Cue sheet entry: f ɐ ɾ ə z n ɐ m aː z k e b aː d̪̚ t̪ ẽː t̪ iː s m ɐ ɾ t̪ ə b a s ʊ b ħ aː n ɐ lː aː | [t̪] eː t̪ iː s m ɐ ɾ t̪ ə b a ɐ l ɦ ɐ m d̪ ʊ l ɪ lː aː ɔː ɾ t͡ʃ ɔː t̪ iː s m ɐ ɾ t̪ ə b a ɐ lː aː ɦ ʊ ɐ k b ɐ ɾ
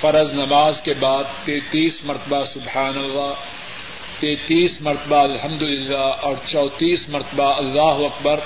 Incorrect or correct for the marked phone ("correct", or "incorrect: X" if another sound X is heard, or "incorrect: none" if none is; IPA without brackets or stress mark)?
correct